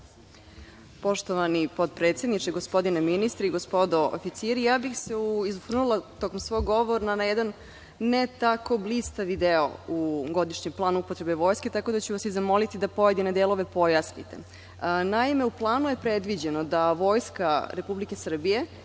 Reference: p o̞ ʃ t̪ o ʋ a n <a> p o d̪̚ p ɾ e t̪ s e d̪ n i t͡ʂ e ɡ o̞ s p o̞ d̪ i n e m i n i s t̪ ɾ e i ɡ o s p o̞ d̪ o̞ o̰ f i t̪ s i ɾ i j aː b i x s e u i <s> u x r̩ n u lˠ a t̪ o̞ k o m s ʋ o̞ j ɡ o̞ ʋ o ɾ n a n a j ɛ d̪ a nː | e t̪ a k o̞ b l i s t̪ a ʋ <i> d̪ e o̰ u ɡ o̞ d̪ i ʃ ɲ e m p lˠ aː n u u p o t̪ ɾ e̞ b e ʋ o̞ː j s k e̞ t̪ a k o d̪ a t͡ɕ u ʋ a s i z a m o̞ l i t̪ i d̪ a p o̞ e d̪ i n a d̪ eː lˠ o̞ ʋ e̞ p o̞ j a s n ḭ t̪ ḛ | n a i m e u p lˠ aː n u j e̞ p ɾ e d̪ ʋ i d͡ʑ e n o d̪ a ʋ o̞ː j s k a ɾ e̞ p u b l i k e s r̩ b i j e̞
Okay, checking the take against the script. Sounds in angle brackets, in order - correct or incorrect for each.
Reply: incorrect, incorrect, correct

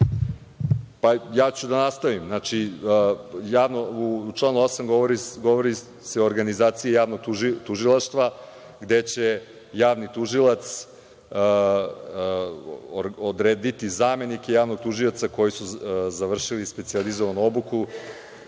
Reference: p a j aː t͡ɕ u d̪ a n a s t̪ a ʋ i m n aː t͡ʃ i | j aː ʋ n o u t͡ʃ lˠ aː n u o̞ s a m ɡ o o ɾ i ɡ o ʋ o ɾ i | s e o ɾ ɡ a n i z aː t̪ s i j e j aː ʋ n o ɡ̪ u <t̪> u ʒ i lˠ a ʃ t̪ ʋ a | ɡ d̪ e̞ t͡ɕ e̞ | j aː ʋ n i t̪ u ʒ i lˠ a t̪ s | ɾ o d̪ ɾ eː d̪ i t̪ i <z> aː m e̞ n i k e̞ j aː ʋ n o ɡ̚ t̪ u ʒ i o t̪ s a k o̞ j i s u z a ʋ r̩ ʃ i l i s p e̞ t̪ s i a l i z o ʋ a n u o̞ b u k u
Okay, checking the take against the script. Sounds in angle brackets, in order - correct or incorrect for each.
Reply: correct, correct

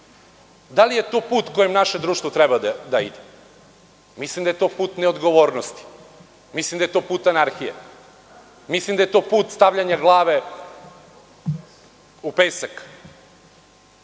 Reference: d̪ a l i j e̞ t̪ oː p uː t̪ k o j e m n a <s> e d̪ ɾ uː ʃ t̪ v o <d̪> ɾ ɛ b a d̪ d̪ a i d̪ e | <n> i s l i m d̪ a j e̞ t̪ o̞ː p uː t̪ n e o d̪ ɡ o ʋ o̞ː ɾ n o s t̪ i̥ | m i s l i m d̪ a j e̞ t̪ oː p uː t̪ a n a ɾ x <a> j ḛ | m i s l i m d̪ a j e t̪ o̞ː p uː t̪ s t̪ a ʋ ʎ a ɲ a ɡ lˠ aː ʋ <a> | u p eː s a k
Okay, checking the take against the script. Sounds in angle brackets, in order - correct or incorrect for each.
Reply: incorrect, incorrect, incorrect, incorrect, incorrect

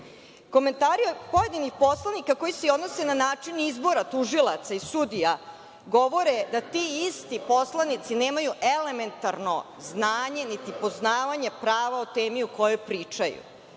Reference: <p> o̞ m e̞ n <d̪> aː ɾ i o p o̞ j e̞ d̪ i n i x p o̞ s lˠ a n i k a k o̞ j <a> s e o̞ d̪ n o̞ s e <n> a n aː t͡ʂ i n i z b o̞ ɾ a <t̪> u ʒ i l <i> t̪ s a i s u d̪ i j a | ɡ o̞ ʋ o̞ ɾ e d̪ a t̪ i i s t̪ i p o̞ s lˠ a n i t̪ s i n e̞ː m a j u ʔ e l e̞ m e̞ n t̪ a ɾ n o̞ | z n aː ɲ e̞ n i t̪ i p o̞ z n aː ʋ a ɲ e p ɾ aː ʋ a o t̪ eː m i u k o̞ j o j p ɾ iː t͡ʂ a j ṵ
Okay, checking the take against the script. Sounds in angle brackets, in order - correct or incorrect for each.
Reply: incorrect, incorrect, incorrect, correct, correct, incorrect

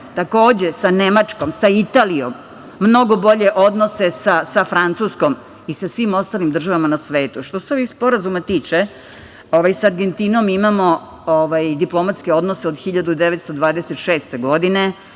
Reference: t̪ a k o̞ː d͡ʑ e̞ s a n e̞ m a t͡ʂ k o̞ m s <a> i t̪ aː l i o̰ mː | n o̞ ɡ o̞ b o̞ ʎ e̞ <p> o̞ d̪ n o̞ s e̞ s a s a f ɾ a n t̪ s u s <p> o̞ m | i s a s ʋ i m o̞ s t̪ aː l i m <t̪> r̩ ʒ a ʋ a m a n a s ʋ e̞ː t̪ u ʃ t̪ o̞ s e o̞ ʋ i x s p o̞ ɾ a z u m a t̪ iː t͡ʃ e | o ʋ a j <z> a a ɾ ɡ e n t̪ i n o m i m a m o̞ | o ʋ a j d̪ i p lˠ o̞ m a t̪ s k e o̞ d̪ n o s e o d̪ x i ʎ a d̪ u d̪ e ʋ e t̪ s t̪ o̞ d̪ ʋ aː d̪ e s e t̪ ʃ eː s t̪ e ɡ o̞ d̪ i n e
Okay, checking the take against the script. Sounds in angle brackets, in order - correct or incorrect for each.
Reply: correct, incorrect, incorrect, incorrect, incorrect

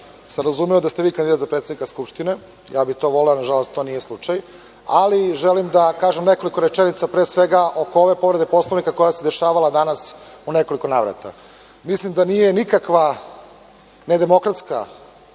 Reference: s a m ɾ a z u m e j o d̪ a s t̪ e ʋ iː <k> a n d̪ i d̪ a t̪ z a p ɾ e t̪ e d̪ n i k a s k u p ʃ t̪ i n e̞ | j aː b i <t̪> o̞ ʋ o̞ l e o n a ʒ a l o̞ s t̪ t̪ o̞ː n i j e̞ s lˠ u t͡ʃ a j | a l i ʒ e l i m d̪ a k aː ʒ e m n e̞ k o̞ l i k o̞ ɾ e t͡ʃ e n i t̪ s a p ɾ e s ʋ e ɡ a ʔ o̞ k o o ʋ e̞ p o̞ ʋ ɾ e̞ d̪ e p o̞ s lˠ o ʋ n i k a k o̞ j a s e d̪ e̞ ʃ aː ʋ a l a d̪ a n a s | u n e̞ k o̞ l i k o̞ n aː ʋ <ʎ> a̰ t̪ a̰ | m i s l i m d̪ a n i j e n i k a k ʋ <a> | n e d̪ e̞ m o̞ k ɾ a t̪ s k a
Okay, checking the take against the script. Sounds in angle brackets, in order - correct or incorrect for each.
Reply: correct, correct, incorrect, correct

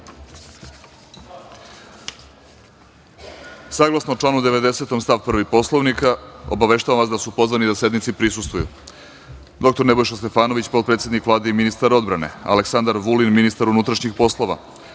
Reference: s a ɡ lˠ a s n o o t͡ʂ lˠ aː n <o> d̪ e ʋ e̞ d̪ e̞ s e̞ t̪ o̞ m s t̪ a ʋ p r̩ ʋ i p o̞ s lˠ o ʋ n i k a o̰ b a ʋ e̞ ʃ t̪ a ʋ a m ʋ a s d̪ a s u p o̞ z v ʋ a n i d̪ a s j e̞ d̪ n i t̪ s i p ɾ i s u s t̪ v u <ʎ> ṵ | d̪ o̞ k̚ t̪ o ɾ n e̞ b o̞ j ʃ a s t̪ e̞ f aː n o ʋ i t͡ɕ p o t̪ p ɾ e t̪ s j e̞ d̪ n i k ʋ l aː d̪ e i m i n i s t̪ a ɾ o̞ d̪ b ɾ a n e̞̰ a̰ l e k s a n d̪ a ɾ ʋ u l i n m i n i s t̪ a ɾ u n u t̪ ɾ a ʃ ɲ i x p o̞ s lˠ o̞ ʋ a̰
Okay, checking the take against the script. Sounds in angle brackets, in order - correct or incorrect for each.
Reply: incorrect, incorrect

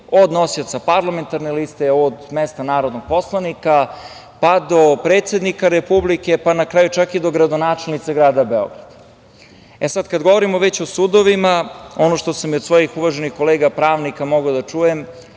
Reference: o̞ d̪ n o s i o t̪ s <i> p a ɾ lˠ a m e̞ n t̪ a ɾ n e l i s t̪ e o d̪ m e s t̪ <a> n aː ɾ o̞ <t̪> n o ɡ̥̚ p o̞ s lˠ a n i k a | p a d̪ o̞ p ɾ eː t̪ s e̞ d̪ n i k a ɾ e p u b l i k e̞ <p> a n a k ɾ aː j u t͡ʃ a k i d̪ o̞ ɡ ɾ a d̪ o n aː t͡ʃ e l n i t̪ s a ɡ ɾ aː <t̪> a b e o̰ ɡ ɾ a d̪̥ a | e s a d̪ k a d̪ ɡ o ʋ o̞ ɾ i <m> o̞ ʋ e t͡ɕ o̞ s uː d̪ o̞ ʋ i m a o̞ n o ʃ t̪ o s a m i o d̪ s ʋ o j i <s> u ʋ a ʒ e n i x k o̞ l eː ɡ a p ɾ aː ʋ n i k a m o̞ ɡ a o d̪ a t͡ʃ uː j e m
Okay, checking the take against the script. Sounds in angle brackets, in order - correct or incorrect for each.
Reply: incorrect, correct, incorrect, correct, incorrect, correct, incorrect

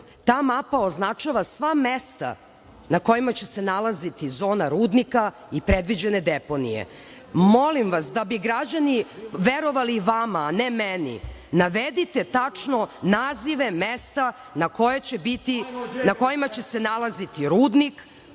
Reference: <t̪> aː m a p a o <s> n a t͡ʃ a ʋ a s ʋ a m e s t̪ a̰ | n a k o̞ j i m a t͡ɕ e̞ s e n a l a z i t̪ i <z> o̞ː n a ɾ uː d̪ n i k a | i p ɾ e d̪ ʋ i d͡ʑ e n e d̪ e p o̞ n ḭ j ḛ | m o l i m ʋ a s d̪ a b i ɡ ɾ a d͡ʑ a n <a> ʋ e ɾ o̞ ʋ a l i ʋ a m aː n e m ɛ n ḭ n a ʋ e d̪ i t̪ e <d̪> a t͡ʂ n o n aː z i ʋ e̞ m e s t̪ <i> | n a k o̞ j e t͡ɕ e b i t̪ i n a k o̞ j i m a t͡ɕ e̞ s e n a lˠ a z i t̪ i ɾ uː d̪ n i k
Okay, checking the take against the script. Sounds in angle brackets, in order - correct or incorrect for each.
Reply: correct, incorrect, correct, incorrect, incorrect, incorrect

